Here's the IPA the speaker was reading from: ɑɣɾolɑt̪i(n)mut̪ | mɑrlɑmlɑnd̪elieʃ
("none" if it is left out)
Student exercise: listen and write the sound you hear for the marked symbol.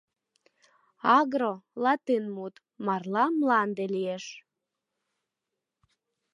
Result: n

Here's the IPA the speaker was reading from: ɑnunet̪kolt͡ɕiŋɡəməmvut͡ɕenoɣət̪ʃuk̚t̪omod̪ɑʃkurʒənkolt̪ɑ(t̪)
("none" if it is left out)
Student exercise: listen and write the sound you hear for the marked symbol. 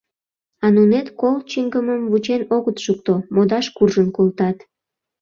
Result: t̪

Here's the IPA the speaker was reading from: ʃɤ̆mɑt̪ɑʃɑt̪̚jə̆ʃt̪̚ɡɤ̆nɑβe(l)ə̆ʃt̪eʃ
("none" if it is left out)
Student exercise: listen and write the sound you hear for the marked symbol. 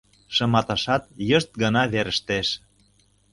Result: ɾ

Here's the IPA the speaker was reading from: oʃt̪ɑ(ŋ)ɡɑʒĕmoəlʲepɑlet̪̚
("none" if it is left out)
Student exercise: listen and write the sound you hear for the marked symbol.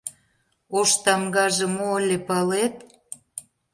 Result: m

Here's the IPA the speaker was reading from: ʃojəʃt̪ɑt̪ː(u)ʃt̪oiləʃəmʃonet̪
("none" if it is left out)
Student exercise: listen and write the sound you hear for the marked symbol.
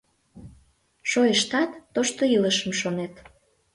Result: o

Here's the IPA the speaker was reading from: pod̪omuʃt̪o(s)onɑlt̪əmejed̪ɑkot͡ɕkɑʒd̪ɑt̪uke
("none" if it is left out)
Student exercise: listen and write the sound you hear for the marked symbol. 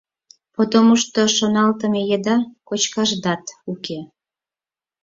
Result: ʃ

